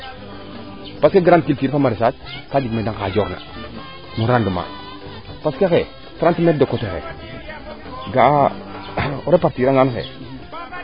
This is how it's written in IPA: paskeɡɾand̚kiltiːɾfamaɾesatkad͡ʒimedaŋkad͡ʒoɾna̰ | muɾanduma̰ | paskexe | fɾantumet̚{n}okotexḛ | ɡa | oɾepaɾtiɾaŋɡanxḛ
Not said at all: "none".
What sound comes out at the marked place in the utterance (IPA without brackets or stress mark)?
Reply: d